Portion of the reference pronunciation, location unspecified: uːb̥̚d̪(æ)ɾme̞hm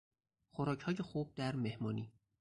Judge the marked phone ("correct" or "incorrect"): correct